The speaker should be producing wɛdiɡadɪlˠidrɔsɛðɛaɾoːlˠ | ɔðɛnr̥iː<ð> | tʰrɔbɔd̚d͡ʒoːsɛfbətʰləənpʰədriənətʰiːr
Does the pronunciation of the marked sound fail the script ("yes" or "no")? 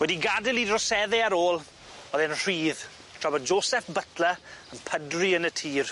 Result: no